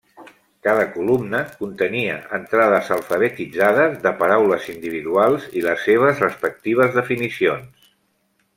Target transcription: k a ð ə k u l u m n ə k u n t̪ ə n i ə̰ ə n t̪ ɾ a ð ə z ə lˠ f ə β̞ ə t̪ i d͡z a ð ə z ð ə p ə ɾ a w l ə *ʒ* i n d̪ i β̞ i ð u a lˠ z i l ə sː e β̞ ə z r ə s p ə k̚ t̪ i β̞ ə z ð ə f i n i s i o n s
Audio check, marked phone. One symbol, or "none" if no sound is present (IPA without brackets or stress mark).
z